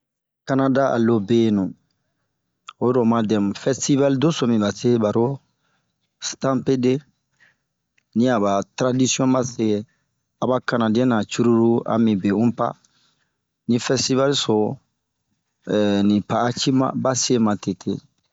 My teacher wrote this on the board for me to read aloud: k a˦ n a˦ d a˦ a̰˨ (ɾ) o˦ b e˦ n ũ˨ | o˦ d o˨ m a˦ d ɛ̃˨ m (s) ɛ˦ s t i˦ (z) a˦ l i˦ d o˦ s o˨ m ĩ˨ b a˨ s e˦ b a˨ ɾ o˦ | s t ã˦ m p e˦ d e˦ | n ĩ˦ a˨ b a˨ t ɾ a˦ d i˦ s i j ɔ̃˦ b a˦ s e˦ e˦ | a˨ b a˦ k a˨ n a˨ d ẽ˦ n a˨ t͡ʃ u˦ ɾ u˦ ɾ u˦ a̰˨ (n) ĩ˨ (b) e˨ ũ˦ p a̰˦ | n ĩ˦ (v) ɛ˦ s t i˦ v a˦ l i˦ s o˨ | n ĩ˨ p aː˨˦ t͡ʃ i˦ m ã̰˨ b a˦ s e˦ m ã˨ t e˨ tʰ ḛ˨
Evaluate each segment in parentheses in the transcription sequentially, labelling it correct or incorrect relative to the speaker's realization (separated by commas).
incorrect, incorrect, incorrect, incorrect, correct, incorrect